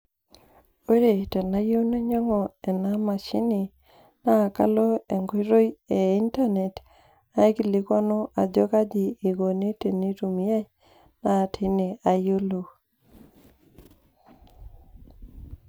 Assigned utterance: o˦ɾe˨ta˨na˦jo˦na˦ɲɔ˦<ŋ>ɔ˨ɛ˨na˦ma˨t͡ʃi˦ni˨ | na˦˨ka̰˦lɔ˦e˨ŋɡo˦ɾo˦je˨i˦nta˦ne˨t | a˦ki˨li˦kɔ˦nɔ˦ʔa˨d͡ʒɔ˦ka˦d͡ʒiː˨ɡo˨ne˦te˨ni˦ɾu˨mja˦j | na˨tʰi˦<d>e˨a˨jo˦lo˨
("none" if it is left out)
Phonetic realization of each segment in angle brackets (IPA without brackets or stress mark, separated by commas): ŋ, n